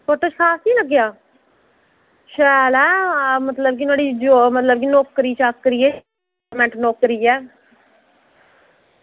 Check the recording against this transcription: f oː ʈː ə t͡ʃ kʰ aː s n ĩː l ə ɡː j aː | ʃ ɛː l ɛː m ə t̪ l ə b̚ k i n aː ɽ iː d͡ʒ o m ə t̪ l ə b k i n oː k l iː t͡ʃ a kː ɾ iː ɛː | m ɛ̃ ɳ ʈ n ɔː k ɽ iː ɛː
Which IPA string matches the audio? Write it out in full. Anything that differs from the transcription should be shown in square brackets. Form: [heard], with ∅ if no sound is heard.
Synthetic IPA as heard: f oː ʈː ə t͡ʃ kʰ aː s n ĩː l ə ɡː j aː | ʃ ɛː l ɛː m ə t̪ l ə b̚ k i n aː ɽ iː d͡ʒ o m ə t̪ l ə b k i n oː k [ɾ] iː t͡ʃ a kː ɾ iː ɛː | m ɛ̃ ɳ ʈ n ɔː k [ɾ] iː ɛː

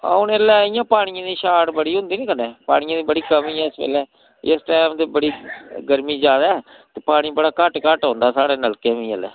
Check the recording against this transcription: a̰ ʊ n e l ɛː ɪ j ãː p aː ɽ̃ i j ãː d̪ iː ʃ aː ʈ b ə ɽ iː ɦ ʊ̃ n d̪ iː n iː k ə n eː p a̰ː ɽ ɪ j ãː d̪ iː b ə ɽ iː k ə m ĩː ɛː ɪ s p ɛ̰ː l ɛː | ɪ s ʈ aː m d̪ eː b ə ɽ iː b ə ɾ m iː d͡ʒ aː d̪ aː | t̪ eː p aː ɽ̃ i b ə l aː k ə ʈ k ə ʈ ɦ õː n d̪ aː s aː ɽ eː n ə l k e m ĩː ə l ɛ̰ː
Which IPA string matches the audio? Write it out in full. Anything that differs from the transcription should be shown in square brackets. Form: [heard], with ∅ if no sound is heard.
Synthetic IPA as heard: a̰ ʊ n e l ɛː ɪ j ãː p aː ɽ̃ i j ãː d̪ iː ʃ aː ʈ b ə ɽ iː ɦ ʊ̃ n d̪ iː n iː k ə n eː p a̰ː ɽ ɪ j ãː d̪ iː b ə ɽ iː k ə m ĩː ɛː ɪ s p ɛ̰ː l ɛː | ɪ s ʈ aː m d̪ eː b ə ɽ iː [ɡ] ə ɾ m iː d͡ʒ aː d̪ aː | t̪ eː p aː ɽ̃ i b ə [ɽ] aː k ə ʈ k ə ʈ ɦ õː n d̪ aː s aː ɽ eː n ə l k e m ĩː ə l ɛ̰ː

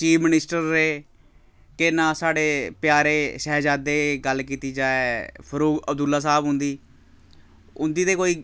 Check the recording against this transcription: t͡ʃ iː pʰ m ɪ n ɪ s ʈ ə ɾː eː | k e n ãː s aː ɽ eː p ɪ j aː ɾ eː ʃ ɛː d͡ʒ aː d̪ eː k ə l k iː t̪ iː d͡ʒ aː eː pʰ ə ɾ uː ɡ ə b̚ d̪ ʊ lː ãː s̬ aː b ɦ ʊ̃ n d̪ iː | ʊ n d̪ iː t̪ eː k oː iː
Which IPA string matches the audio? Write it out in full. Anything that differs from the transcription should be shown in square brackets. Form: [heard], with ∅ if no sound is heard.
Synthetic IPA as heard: t͡ʃ iː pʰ m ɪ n ɪ s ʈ ə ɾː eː | k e n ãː s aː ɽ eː p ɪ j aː ɾ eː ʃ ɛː d͡ʒ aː d̪ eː [ɡ] ə l k iː t̪ iː d͡ʒ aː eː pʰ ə ɾ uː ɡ ə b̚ d̪ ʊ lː [aː] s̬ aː b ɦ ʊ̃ n d̪ iː | ʊ n d̪ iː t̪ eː k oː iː

